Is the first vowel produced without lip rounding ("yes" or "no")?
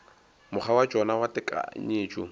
no